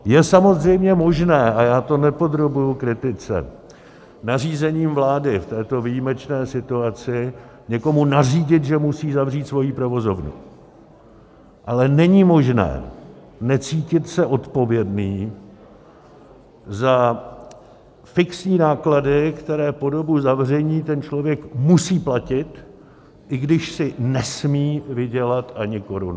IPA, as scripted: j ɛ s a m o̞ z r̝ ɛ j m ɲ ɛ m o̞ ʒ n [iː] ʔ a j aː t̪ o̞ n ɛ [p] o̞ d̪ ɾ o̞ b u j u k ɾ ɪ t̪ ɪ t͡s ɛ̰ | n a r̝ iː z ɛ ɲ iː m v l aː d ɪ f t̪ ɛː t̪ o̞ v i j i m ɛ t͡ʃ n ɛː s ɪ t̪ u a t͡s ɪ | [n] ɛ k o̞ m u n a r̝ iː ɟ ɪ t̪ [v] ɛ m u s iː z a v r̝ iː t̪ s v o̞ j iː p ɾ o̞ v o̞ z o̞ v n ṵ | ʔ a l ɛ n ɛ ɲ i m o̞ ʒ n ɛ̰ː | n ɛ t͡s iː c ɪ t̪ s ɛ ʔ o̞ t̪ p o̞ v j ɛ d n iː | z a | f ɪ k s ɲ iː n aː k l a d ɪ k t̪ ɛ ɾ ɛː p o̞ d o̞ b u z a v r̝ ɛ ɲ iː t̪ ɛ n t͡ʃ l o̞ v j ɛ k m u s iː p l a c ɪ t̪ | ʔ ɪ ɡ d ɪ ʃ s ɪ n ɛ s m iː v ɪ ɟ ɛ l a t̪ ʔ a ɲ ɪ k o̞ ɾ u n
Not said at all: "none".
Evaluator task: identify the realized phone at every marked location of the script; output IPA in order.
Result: ɛː, p, ɲ, ʒ

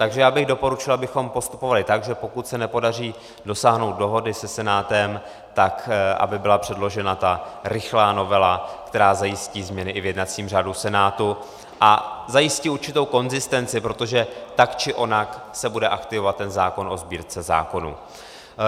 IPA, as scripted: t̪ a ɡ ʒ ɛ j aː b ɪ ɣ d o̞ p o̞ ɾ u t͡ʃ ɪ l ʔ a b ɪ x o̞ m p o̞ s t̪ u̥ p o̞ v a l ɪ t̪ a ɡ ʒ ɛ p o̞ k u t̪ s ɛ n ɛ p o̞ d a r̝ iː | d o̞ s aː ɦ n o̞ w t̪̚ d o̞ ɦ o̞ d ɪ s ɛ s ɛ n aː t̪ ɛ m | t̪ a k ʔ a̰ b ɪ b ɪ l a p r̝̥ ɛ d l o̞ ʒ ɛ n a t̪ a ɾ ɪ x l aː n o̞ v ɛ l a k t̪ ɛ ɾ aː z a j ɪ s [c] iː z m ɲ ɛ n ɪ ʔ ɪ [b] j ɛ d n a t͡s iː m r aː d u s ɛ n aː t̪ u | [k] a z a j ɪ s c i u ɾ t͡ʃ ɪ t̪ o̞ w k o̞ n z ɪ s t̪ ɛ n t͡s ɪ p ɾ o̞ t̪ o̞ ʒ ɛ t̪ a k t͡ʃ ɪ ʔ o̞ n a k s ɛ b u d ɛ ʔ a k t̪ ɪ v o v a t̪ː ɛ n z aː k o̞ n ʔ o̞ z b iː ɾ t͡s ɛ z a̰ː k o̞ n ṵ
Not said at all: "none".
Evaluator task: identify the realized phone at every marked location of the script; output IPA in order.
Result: c, v, ʔ

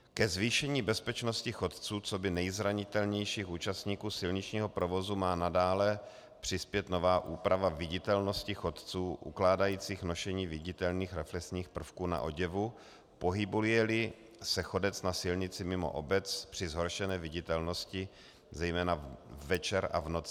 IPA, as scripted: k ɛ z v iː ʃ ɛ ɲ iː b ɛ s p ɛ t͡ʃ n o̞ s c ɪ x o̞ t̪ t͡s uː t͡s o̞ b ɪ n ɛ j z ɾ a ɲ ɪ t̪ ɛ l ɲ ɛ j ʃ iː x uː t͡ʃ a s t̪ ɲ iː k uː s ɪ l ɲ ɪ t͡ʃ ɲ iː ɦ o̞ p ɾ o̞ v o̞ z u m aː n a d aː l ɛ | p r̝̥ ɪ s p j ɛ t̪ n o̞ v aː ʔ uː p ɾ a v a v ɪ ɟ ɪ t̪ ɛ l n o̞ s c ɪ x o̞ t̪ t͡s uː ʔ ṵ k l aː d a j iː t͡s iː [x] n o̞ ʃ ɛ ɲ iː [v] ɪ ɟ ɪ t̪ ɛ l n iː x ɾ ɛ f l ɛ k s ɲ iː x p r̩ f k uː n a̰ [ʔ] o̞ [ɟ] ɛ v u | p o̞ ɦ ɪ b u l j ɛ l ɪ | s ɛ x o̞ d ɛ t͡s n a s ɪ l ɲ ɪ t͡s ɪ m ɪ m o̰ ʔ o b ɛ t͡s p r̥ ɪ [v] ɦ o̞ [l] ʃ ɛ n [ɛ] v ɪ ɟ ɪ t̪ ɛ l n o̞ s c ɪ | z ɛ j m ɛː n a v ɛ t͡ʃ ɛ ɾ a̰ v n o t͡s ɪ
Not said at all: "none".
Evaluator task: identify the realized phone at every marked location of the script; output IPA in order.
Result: x, v, ʔ, ɟ, z, ɾ, ɛː

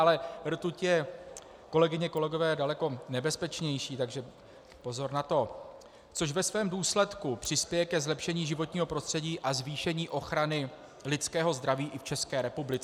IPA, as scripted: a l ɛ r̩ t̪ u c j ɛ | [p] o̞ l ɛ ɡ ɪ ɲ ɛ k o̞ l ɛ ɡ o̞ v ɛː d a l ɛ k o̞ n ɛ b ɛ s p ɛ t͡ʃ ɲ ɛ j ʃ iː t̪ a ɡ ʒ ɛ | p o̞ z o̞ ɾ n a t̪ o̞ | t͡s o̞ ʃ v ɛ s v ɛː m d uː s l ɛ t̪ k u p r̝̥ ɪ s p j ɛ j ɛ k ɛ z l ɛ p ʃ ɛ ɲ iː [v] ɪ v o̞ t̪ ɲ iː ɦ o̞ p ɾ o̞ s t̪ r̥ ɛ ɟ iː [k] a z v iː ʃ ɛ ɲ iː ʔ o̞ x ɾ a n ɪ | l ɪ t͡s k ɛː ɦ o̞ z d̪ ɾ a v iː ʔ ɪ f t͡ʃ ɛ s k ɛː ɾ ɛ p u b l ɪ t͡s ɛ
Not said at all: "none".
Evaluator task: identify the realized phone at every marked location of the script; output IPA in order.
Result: k, ʒ, ʔ

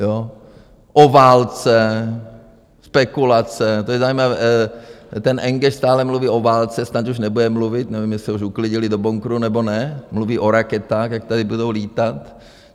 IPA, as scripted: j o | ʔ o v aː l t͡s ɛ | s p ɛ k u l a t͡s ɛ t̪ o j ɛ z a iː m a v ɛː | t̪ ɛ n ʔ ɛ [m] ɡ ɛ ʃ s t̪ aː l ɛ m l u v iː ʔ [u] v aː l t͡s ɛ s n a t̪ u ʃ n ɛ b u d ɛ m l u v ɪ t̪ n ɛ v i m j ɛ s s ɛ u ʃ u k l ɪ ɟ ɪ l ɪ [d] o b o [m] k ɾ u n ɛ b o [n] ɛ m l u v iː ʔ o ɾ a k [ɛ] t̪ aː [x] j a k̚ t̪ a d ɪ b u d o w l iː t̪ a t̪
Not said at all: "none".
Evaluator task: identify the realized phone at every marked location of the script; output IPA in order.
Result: ŋ, o, d, ŋ, n, ɛ, x

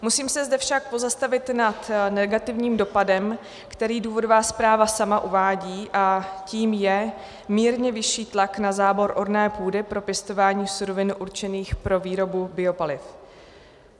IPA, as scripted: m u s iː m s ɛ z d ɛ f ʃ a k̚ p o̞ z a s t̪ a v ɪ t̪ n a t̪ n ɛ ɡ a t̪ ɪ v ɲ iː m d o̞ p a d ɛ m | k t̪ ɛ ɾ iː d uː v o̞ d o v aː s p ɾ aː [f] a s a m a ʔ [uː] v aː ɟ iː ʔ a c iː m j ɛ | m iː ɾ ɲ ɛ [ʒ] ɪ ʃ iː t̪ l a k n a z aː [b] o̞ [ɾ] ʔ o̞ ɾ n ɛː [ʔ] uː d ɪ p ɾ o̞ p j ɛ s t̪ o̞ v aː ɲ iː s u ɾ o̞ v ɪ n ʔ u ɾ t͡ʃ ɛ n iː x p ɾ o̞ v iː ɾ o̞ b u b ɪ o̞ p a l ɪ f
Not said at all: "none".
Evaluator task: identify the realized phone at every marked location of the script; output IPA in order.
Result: v, u, v, b, ɾ, p

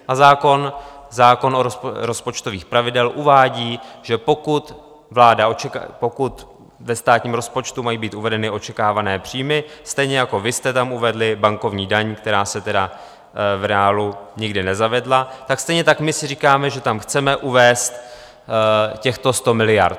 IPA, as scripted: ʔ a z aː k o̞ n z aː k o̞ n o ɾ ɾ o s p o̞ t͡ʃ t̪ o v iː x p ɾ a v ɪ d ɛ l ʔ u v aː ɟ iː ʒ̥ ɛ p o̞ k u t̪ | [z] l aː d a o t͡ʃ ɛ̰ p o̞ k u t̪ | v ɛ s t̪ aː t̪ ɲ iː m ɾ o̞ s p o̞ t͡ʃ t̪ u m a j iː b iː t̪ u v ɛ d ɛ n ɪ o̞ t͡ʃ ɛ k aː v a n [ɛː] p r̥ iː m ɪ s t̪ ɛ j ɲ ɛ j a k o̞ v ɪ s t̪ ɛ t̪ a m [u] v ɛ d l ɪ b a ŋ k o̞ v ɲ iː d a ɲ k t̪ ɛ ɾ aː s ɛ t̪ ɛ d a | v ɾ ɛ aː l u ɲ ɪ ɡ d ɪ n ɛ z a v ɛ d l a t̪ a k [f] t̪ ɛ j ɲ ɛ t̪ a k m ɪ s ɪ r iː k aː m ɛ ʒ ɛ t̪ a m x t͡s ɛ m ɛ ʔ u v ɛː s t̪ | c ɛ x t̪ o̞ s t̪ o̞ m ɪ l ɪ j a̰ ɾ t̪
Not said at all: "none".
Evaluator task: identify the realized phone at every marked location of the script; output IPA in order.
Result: v, ɛː, u, s

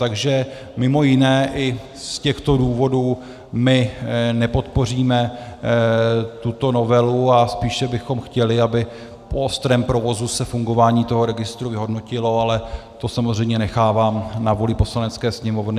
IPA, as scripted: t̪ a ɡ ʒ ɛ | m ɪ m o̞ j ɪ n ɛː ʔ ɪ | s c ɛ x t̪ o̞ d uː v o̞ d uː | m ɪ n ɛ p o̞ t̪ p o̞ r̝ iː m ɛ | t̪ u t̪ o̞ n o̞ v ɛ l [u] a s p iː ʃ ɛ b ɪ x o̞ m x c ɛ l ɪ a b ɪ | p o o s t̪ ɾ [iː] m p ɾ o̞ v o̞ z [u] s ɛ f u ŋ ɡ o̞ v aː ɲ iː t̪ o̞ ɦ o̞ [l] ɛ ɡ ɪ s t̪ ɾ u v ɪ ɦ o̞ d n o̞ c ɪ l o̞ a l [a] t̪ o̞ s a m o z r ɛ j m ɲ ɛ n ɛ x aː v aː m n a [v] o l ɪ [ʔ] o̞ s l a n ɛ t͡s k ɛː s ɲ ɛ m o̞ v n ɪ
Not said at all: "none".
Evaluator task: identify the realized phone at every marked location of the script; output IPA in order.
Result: u, ɛː, u, ɾ, ɛ, v, p

